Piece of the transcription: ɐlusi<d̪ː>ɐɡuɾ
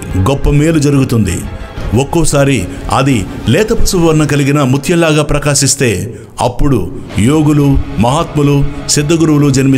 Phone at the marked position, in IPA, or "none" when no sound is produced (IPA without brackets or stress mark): d̪ː